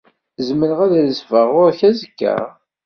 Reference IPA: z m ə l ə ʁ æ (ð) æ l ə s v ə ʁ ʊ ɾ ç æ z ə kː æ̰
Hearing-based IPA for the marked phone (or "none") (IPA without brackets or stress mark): ð